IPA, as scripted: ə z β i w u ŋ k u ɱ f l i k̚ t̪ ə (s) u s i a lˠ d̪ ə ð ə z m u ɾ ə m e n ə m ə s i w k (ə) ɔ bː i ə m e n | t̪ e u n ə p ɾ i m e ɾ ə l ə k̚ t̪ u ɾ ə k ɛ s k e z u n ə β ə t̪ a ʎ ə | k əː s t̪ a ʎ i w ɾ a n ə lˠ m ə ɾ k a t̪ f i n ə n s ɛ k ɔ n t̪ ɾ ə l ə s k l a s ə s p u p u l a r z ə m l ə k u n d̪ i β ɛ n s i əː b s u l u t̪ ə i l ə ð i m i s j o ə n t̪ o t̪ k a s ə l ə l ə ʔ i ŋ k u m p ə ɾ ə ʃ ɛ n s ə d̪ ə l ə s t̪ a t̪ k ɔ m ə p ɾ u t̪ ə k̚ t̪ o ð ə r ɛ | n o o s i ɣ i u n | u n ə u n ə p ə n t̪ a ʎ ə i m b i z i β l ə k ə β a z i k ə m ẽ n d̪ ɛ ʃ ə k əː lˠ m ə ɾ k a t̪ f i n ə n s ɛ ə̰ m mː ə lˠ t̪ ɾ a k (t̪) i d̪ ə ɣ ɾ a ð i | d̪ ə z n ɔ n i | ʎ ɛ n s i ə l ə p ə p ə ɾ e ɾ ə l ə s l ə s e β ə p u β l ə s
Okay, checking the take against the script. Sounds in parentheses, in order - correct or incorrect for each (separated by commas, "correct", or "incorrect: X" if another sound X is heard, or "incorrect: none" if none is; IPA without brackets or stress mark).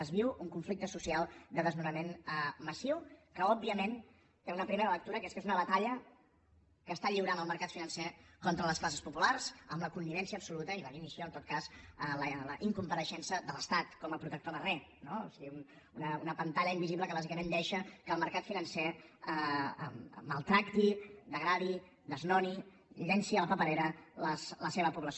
correct, correct, correct